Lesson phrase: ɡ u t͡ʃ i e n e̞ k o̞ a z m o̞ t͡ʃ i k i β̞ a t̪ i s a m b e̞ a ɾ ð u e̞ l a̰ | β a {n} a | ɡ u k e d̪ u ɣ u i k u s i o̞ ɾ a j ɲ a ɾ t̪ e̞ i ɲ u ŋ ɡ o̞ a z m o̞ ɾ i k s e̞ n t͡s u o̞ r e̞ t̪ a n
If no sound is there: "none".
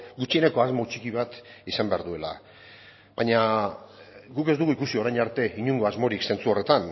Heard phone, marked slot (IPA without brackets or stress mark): ɲ